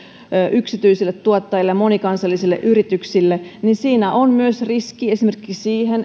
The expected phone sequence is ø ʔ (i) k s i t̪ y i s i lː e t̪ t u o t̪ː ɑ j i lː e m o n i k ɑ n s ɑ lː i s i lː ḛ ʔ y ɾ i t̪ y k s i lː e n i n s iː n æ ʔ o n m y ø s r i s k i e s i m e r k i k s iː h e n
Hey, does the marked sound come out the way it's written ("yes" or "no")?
no